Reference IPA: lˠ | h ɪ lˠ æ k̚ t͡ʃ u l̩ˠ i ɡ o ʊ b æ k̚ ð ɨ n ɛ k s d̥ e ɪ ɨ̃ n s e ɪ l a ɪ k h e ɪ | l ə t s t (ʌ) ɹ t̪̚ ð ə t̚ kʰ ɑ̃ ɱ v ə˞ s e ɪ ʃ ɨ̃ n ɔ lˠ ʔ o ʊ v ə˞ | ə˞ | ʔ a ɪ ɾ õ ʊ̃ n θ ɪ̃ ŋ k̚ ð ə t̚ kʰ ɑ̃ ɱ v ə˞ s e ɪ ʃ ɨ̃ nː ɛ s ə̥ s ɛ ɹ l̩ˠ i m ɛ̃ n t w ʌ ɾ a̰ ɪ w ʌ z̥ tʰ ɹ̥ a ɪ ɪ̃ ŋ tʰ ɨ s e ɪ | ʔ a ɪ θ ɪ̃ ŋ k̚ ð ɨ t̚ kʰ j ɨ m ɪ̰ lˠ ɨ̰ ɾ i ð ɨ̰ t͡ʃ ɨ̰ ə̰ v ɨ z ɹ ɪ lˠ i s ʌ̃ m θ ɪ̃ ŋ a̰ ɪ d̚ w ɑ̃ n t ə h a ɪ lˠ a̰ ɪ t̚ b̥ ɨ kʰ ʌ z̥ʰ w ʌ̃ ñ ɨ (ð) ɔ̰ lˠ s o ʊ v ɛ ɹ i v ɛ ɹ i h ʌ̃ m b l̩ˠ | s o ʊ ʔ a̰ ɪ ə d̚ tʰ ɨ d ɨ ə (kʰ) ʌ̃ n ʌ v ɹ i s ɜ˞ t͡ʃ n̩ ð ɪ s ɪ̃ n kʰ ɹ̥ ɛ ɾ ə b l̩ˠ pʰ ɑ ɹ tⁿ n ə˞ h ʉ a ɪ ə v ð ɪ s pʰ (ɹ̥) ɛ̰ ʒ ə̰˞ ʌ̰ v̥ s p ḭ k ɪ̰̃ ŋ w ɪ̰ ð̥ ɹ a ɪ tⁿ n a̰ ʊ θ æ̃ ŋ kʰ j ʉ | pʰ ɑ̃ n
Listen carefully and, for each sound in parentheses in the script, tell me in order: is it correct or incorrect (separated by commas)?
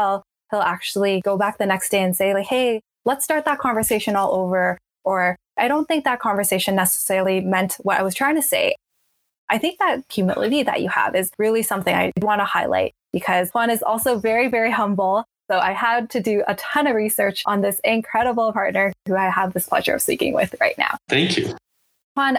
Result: incorrect, incorrect, incorrect, incorrect